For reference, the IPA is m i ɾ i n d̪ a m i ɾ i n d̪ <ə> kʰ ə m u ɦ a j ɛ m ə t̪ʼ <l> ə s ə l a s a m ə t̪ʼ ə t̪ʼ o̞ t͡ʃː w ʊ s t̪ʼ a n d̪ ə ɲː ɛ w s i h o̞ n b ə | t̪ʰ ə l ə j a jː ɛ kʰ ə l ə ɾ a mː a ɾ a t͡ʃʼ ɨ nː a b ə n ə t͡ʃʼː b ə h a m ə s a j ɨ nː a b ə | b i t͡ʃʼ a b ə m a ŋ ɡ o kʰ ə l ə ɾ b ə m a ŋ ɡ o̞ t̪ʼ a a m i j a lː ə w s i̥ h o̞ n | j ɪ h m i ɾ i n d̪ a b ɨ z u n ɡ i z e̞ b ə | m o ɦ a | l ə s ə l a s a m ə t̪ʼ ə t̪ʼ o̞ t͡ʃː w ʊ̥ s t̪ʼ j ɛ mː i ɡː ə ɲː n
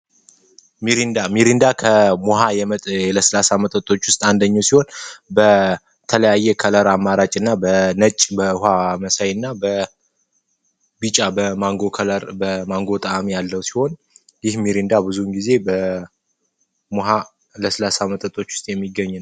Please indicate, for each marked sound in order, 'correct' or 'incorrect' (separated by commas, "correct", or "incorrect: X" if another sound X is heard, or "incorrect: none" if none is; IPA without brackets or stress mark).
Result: incorrect: a, correct